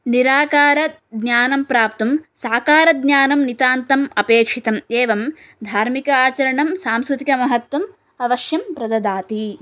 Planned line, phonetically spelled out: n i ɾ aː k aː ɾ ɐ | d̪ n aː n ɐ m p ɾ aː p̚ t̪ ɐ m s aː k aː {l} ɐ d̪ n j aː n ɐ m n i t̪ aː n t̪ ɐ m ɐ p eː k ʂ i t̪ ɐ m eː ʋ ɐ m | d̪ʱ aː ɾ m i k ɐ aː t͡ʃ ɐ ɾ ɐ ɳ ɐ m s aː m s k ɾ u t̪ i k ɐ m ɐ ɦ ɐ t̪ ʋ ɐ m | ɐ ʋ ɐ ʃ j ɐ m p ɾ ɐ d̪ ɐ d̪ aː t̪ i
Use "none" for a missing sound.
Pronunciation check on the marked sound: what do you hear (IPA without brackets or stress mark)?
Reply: ɾ